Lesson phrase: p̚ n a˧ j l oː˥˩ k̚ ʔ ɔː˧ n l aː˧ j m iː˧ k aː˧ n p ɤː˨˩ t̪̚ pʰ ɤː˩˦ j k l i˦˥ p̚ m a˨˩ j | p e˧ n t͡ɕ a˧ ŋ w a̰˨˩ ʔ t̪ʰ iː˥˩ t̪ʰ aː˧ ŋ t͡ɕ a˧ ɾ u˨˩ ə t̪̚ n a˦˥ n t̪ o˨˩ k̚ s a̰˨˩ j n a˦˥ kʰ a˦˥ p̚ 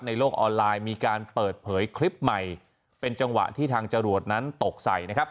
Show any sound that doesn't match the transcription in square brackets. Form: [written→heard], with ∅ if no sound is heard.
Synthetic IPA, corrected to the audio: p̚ n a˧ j l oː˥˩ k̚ ʔ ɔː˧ n l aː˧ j m iː˧ k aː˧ n p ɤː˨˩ t̪̚ pʰ ɤː˩˦ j [k→kʰ] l i˦˥ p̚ m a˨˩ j | p e˧ n t͡ɕ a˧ ŋ w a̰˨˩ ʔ t̪ʰ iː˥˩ t̪ʰ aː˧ ŋ t͡ɕ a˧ ɾ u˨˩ ə t̪̚ n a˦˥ n t̪ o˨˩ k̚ s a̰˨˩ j n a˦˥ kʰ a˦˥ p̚